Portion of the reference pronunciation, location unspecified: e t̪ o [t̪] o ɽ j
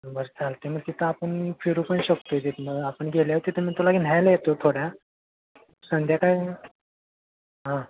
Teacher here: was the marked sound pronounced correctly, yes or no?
no